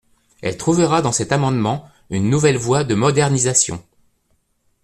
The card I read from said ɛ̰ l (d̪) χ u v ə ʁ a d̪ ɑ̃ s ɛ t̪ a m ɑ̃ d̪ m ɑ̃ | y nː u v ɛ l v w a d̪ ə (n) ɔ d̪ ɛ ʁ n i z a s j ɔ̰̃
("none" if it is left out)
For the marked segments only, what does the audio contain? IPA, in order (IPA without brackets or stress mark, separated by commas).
t̪, m